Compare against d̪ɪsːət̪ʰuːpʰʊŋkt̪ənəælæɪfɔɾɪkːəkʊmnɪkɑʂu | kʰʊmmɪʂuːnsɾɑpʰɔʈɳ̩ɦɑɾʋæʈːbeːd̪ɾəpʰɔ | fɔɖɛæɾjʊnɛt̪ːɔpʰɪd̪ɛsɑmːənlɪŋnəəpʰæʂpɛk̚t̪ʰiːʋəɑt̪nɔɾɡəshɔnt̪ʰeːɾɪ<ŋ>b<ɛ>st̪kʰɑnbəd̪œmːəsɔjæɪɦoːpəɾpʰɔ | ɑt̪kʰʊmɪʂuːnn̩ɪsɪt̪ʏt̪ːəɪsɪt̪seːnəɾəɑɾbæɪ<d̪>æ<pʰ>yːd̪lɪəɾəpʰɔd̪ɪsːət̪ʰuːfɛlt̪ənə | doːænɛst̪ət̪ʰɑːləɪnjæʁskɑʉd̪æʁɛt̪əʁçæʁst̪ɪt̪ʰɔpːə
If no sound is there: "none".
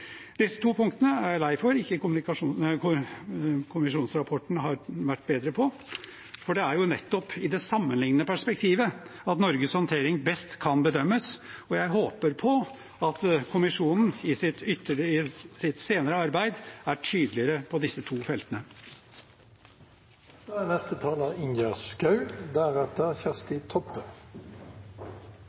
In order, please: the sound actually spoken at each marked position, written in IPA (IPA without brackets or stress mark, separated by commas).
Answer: ŋ, ɛ, d̪, ʈʰ